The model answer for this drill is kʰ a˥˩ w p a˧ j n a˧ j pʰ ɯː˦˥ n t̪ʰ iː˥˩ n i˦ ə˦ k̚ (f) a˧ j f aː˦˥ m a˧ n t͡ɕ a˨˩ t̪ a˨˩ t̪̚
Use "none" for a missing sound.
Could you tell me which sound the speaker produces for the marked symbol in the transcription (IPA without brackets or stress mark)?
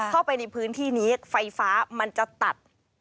f